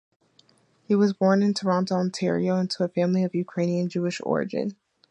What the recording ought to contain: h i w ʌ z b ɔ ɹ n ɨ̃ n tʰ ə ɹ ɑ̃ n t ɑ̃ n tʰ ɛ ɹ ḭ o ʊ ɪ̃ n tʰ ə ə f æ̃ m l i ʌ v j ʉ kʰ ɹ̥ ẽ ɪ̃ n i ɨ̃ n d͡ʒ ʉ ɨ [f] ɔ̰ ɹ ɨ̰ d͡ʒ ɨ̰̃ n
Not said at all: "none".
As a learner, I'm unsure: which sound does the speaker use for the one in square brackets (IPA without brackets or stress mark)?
ʃ